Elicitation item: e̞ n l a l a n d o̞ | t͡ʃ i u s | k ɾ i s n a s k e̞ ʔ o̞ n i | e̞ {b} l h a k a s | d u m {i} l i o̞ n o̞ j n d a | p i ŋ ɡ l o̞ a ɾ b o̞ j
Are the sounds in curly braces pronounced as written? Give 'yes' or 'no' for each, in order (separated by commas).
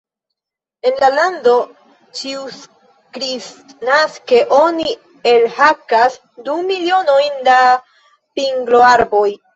no, yes